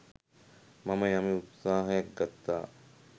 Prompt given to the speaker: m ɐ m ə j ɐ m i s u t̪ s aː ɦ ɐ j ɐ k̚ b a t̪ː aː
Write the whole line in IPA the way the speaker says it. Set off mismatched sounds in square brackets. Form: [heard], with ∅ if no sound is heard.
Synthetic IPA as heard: m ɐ m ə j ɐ m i [∅] u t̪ s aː ɦ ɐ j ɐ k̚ [ɡ] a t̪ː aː